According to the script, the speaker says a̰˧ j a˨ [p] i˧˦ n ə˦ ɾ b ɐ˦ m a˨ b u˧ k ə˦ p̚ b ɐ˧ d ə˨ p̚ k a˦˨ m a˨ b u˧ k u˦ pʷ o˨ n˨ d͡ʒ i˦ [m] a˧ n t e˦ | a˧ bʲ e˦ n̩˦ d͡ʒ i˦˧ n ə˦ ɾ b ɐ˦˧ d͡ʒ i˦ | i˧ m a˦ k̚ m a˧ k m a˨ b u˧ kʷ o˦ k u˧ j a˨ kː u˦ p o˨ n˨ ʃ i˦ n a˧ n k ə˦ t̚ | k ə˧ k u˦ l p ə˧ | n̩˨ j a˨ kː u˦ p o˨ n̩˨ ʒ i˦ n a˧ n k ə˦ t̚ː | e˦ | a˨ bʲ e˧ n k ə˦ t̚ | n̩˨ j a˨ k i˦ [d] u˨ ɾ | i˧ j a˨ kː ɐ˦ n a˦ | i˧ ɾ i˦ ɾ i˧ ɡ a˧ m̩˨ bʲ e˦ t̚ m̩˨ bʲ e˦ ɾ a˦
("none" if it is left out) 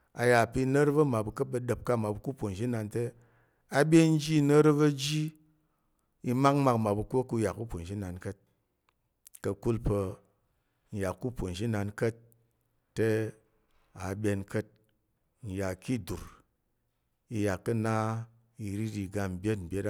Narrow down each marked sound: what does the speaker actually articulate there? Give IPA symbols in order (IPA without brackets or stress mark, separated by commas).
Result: p, n, d